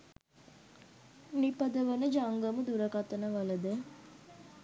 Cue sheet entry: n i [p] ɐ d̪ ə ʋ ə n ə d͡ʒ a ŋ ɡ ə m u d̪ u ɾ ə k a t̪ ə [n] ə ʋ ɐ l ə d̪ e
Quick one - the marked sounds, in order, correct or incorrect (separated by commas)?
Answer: correct, correct